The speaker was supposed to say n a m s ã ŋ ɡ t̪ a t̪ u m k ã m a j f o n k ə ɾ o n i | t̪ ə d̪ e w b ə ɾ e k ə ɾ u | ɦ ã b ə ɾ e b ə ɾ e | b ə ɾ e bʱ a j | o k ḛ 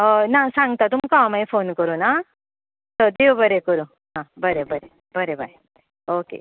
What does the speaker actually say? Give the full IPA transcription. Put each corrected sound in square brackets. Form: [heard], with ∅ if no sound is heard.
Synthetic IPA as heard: n a [∅] s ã ŋ ɡ t̪ a t̪ u m k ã m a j f o n k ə ɾ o n [a] | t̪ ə d̪ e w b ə ɾ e k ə ɾ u | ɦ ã b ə ɾ e b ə ɾ e | b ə ɾ e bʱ a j | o k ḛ